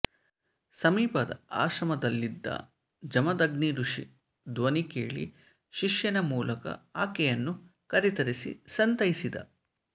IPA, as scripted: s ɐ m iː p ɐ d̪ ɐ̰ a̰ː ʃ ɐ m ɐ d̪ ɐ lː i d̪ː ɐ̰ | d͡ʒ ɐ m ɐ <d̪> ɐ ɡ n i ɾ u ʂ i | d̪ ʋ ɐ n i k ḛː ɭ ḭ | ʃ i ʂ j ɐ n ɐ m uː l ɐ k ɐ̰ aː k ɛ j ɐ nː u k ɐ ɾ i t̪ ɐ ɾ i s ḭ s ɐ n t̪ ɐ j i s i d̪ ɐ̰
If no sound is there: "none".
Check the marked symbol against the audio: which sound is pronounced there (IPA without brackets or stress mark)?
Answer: d̪